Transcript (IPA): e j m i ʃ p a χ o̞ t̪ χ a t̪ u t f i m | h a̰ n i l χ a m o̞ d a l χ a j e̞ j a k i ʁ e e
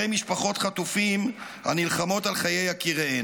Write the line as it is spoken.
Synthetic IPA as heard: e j m i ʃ p a χ o̞ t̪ χ a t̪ u f i m | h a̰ n i l χ a m o̞ t a l χ a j e̞ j a k i ʁ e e